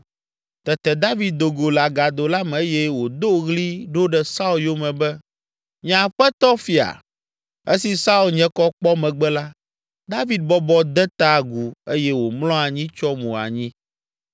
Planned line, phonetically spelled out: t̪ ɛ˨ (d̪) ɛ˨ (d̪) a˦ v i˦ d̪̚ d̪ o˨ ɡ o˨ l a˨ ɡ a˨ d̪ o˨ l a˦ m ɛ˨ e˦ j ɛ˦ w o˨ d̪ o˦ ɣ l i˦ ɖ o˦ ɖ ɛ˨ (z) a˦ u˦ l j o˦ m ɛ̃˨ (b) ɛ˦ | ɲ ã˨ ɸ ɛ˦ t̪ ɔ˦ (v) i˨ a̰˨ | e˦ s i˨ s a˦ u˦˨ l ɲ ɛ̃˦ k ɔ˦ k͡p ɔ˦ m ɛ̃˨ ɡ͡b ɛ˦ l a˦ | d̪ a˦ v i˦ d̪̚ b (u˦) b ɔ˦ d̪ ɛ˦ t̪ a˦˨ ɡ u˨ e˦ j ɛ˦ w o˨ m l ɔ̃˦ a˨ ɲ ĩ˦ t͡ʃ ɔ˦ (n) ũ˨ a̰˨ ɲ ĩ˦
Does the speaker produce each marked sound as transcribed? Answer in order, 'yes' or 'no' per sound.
no, yes, no, yes, no, no, no

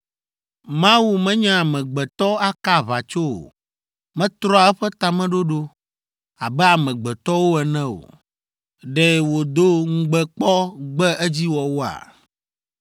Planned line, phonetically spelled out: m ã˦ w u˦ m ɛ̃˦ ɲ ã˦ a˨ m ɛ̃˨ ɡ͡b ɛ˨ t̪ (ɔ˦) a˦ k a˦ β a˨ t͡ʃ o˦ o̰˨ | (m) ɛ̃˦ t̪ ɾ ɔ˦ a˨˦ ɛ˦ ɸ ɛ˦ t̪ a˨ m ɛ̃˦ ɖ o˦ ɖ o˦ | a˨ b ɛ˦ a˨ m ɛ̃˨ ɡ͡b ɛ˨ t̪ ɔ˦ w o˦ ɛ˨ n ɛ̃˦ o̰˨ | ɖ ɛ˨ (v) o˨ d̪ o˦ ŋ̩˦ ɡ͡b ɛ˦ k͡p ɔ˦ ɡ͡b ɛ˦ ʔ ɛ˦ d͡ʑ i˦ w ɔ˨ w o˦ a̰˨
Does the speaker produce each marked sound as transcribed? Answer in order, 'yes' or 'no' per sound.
yes, yes, no

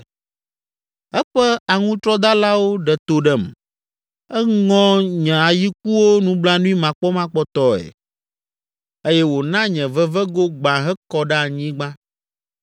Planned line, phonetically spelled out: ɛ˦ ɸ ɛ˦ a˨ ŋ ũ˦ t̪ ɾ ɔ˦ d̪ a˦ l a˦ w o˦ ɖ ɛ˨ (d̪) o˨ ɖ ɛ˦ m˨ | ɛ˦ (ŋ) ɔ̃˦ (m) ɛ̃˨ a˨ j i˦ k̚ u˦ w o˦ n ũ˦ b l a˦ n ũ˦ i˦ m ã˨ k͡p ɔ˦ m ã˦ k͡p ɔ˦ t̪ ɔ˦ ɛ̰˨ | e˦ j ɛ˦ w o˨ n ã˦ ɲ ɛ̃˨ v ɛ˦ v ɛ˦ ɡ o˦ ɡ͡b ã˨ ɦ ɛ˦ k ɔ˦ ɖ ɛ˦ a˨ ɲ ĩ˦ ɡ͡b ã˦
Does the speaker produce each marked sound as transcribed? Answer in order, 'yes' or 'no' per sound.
no, yes, no

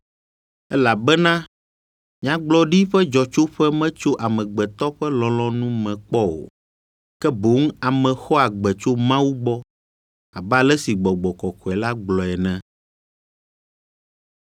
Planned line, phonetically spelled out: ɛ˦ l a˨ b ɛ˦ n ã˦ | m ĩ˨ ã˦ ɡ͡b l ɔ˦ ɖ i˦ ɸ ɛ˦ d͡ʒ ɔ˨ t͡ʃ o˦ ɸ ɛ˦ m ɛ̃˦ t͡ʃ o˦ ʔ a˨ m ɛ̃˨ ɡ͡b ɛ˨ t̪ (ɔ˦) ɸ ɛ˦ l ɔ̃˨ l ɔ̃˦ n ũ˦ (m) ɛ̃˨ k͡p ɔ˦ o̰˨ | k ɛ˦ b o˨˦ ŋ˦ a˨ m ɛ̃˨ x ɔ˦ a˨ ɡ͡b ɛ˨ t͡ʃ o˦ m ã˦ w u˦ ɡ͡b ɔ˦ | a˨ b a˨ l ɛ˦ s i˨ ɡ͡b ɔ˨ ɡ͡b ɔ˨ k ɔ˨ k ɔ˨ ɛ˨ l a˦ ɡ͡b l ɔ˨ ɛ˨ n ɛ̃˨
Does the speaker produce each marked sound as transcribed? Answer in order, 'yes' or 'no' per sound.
yes, yes

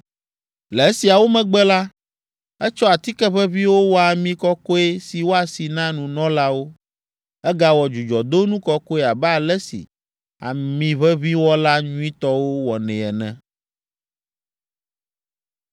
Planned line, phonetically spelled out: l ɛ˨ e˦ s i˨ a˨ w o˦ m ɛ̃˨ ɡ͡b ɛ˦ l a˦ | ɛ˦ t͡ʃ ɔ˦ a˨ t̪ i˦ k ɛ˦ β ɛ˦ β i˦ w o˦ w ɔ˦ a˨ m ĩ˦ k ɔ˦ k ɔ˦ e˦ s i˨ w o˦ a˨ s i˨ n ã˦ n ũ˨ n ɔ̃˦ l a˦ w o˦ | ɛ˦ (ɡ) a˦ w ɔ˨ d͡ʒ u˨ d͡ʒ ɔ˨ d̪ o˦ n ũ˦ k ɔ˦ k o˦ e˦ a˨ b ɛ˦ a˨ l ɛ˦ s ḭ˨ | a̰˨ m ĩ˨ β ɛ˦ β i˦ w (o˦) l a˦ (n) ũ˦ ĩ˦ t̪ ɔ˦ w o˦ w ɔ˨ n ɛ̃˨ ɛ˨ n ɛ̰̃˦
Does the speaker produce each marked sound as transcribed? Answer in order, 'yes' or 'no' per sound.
yes, no, no

